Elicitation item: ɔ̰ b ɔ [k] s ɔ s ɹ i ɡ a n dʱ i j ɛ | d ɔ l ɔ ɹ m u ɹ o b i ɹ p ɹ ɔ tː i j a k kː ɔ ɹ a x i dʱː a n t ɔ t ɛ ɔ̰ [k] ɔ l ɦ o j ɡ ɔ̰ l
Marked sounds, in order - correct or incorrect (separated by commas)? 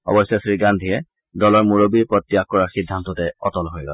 incorrect, incorrect